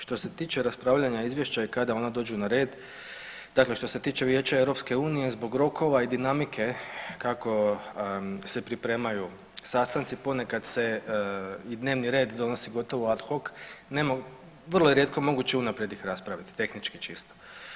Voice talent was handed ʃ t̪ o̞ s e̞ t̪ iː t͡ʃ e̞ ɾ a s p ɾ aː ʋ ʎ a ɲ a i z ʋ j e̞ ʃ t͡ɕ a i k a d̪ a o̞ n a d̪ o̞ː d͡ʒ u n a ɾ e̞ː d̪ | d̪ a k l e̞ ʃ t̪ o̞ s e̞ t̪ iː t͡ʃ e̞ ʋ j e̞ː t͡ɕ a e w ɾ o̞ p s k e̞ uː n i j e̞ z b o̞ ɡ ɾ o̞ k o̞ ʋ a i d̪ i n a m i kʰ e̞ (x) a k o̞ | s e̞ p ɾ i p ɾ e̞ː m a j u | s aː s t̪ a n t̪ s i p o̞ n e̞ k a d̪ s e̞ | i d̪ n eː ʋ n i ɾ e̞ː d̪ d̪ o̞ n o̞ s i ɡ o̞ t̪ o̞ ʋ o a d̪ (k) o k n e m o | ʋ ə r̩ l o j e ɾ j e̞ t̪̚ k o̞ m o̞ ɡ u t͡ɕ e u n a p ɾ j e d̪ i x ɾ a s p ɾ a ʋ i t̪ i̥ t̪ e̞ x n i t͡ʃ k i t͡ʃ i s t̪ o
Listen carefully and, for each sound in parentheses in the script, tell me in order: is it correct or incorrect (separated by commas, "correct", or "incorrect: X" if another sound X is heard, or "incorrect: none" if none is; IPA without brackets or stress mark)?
incorrect: k, incorrect: x